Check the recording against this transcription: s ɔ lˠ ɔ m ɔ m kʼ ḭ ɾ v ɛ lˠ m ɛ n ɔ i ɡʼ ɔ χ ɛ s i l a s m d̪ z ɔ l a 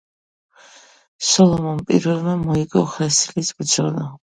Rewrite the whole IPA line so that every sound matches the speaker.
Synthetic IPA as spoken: s ɔ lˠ ɔ m ɔ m pʼ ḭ ɾ v ɛ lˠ m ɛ m ɔ i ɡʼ ɔ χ ɛ s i l i s b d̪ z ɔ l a